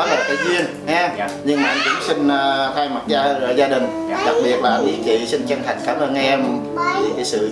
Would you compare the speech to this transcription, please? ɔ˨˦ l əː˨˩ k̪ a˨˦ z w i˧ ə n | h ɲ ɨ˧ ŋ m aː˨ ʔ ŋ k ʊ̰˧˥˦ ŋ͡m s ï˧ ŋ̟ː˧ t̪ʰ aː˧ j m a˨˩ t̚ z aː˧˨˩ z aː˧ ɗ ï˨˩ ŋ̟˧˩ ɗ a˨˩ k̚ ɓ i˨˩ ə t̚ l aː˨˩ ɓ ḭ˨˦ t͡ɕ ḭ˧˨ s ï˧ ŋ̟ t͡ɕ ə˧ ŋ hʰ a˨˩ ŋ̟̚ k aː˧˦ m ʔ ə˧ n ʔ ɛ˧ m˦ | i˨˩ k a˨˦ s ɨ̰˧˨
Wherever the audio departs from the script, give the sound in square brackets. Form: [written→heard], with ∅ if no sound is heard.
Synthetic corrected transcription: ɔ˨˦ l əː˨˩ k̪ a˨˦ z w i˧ ə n | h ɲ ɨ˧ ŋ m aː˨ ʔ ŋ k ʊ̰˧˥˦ ŋ͡m s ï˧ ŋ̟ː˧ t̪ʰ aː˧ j m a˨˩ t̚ z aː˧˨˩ z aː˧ ɗ ï˨˩ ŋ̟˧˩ ɗ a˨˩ k̚ ɓ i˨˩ ə t̚ l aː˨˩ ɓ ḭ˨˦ t͡ɕ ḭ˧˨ s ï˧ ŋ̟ t͡ɕ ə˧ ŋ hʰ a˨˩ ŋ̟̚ k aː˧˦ m ʔ [ə˧→əː˧] n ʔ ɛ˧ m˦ | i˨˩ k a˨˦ s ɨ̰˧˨